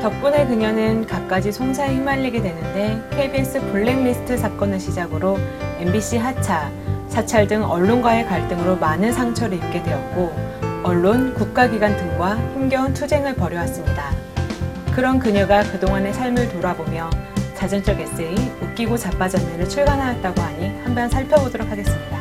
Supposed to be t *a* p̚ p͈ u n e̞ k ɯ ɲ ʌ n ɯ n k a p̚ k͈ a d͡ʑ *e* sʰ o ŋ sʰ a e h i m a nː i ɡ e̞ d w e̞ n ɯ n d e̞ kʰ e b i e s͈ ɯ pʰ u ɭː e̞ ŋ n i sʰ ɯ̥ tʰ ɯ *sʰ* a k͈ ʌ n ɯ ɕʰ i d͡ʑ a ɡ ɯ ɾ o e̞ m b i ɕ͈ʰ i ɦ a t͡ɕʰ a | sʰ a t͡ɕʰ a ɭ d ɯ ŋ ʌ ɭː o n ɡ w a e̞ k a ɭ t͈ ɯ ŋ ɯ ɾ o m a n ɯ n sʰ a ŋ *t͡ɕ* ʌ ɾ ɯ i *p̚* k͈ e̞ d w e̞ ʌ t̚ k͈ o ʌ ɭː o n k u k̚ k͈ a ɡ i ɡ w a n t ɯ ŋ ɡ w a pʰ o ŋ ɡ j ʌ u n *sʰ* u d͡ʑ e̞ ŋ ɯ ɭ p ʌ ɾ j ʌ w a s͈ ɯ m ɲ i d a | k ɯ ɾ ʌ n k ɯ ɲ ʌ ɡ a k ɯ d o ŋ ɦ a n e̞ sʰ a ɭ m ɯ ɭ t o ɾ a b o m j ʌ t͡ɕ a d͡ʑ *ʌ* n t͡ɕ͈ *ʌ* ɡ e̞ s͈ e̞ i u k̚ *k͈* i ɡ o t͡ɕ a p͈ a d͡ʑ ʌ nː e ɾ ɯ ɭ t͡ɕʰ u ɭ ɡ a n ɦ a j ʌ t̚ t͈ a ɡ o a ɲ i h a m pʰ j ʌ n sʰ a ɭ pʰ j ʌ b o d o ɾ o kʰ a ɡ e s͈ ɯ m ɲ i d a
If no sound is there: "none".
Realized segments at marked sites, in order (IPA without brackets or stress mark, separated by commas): ʌ, i, sʰ, t͡ɕʰ, p̚, tʰ, ʌ, ʌ, k͈